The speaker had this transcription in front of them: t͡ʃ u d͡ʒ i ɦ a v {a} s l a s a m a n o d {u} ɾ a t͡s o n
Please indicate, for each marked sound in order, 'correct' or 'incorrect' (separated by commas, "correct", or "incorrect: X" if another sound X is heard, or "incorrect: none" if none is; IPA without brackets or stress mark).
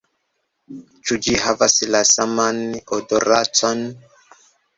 correct, incorrect: o